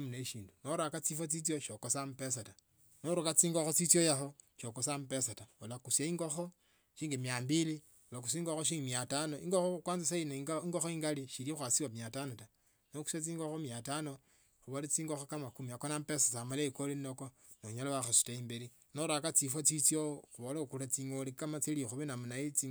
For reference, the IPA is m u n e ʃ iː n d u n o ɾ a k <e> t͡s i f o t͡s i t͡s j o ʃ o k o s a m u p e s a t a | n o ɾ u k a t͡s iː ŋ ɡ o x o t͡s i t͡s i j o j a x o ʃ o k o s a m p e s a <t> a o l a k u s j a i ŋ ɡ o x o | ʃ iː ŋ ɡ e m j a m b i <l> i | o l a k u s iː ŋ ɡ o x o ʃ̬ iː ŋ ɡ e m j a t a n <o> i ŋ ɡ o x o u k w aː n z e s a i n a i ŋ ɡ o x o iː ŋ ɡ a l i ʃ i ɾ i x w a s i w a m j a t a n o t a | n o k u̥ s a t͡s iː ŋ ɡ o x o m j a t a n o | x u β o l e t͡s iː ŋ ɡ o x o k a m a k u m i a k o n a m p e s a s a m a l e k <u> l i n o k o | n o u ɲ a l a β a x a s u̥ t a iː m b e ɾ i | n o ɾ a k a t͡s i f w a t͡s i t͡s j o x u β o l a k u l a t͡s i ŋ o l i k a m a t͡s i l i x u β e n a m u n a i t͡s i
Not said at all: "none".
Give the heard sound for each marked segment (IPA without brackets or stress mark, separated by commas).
a, t, l, o, o